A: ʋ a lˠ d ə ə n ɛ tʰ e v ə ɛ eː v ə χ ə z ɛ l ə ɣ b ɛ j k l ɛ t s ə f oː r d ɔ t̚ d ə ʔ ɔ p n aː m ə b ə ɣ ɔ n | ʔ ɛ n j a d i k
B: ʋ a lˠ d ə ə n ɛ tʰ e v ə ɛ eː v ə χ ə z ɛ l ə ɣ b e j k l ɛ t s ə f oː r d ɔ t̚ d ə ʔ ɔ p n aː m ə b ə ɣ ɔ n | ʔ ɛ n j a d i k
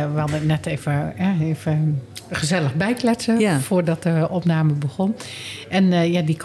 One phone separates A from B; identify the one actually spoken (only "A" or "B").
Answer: A